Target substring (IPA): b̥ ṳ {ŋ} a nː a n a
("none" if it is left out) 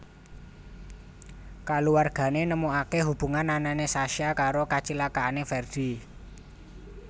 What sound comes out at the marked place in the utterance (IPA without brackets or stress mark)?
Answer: ŋ